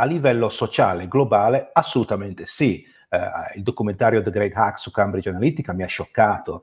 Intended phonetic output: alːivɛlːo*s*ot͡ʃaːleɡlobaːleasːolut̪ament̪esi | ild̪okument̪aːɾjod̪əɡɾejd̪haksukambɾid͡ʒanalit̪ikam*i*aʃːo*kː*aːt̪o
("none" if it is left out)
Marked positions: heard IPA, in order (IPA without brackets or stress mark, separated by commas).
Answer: s, i, kː